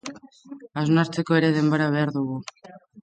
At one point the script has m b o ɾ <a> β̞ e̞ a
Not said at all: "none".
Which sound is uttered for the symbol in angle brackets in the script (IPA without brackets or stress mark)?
a